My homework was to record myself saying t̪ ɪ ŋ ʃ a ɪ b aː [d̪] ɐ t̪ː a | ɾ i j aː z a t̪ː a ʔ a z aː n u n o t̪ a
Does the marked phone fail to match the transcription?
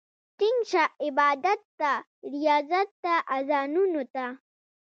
no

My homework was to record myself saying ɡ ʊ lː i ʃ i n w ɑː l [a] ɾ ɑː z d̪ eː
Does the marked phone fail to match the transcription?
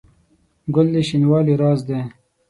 yes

